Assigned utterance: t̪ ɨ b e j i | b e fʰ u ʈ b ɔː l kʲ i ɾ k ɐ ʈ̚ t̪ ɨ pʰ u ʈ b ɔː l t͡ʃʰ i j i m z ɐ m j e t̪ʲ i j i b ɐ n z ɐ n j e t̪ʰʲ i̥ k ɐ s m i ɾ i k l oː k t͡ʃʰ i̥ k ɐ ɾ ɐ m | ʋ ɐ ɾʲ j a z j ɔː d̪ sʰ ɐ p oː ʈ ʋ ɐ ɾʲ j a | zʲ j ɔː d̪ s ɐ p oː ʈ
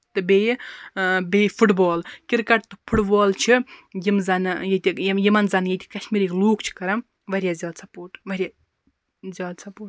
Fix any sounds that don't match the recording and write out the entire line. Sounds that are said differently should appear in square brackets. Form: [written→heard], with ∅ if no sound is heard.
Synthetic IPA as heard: t̪ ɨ b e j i | b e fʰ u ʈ b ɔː l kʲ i ɾ k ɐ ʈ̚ t̪ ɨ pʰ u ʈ b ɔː l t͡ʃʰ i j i m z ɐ [m→n] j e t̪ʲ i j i [b→m] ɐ n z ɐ n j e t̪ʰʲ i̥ k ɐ [s→ʃ] m i ɾ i k l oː k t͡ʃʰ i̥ k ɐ ɾ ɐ m | ʋ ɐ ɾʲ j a z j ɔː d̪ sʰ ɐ p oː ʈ ʋ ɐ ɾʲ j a | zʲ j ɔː d̪ s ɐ p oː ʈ

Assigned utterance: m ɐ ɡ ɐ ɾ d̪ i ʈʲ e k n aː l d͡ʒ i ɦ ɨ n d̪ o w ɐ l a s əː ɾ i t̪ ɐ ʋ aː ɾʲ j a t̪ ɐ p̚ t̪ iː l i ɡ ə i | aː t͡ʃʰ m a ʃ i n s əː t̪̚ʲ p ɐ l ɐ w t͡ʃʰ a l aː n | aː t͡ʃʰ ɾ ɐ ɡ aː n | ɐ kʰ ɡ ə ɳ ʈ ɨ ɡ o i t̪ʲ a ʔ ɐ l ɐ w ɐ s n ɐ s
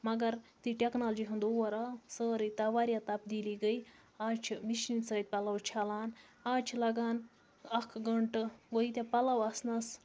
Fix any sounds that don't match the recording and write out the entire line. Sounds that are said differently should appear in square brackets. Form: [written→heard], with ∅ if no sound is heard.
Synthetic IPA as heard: m ɐ ɡ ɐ ɾ [d̪→t̪] i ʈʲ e k n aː l d͡ʒ i ɦ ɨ n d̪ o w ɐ [l→ɾ] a s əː ɾ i t̪ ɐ ʋ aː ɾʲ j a t̪ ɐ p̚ [t̪→d̪] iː l i ɡ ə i | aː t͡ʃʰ m [a→i] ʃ i n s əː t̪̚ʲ p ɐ l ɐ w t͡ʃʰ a l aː n | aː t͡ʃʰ [ɾ→l] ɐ ɡ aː n | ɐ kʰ ɡ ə ɳ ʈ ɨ ɡ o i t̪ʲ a [ʔ→p] ɐ l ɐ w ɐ s n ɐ s

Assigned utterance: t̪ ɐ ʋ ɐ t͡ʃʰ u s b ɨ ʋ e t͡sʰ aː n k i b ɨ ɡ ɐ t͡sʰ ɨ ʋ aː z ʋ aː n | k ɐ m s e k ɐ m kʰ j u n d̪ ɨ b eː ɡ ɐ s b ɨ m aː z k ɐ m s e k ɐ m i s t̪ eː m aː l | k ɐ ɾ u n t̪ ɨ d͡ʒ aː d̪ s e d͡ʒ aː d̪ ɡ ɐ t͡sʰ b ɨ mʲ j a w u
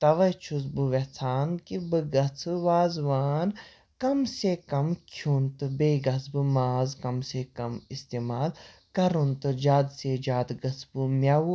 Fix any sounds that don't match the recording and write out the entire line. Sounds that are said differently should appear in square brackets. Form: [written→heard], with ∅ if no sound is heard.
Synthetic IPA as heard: t̪ ɐ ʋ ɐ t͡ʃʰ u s b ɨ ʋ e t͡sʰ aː n k i b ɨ ɡ ɐ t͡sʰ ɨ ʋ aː z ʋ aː n | k ɐ m s e k ɐ m kʰ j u n [d̪→t̪] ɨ b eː ɡ ɐ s b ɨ m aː z k ɐ m s e k ɐ m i s t̪ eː m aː l | k ɐ ɾ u n t̪ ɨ d͡ʒ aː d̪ s e d͡ʒ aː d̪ ɡ ɐ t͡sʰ b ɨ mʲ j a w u

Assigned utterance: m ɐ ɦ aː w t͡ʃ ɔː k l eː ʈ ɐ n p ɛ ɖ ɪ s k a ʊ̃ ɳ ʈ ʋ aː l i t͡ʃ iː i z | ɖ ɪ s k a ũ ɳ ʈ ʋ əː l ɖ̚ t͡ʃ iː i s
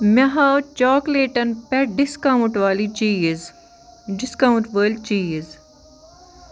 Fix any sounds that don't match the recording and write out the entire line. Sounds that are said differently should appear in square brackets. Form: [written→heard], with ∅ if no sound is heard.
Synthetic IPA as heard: m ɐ ɦ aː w t͡ʃ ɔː k l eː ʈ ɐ n p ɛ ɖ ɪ s k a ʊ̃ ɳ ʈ ʋ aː l i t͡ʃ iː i z | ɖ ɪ s k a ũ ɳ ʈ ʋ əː l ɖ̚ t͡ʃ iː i [s→z]

